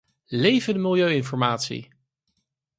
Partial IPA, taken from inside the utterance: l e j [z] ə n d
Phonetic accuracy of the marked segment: incorrect: v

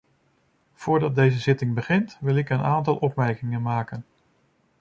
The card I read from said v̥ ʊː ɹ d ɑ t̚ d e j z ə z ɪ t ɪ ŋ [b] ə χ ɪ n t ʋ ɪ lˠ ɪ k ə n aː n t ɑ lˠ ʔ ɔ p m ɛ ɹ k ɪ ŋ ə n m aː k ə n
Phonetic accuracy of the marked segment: correct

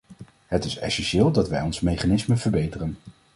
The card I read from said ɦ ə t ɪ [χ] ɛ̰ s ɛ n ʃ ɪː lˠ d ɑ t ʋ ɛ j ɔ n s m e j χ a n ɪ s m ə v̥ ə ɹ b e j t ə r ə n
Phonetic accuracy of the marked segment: incorrect: s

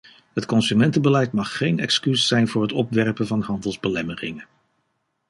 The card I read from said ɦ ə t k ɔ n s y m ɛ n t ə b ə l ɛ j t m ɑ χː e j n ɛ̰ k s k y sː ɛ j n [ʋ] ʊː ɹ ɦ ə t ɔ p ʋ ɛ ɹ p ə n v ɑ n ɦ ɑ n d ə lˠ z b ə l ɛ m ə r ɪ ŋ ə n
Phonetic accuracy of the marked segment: incorrect: v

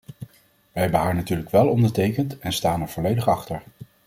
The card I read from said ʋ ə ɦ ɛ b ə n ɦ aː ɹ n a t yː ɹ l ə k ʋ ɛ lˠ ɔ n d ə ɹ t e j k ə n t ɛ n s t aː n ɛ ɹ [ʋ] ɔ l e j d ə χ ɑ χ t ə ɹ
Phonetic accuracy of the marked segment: incorrect: v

